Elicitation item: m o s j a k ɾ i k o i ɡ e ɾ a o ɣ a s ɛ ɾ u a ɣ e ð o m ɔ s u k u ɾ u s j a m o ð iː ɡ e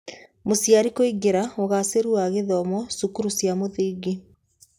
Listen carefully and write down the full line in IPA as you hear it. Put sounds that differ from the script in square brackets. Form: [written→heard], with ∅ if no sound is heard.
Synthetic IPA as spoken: m o s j a [k→∅] ɾ i k o i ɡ e ɾ a o ɣ a s [ɛ→e] ɾ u a ɣ e ð [o→ɔ] m ɔ s u k u ɾ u s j a m o ð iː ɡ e